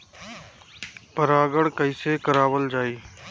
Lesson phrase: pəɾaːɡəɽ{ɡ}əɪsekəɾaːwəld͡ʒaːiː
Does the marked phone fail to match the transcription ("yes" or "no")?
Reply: yes